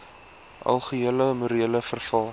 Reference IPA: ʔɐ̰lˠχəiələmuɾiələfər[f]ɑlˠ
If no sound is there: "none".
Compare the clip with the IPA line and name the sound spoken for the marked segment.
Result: f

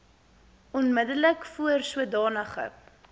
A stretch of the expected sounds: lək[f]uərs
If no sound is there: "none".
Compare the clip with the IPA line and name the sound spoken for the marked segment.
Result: f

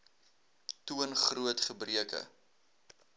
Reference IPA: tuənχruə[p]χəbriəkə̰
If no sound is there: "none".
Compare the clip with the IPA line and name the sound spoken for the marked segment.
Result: t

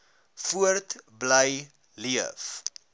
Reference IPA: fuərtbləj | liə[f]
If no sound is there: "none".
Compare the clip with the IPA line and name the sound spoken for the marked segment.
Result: f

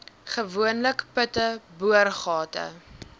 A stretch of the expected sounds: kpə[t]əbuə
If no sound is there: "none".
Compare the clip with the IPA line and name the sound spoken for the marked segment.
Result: t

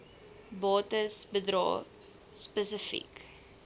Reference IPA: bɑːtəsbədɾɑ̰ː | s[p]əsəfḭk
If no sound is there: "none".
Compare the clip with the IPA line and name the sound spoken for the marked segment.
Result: p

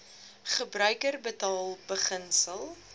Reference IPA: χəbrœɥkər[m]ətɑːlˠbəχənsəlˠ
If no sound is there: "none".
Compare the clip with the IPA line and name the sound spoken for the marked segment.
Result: b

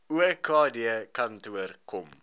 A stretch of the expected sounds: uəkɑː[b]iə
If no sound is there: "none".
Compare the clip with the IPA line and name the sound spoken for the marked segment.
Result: d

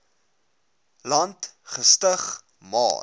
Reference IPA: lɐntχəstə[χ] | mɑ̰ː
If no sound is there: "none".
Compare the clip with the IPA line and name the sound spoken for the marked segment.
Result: χ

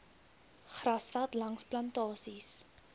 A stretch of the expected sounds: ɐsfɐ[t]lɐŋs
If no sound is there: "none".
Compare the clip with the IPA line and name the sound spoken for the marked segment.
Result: t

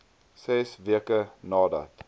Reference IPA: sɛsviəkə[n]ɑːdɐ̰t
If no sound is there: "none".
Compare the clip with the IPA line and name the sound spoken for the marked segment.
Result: n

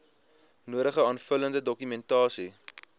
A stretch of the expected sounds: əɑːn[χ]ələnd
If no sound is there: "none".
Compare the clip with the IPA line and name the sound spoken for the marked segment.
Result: f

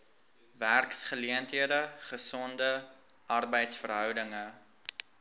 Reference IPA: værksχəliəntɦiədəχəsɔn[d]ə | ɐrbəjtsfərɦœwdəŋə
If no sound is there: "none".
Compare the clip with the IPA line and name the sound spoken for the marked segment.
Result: d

